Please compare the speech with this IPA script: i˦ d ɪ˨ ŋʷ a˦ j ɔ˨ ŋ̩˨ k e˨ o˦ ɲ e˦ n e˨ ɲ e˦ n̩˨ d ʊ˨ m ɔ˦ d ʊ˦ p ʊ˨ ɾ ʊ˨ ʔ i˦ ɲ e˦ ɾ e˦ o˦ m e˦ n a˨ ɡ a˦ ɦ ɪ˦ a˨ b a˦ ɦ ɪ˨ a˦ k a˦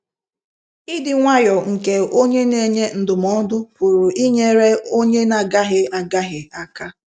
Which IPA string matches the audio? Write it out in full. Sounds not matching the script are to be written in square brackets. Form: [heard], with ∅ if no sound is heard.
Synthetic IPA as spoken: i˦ d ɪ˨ ŋʷ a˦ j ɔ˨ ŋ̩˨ k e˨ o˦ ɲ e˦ n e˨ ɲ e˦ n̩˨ d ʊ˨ m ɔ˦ d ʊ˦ p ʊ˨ ɾ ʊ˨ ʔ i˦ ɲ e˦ ɾ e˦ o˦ [ɲ] e˦ n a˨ ɡ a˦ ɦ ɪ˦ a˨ [ɡ] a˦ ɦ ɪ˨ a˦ k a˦